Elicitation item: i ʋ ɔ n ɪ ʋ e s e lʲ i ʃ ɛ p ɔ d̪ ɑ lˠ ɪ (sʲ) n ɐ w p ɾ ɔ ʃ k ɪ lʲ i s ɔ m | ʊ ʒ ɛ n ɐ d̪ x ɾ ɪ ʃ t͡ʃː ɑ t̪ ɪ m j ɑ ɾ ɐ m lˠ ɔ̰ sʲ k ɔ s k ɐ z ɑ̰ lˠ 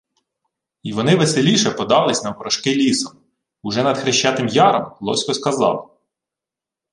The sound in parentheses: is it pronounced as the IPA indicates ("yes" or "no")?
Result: yes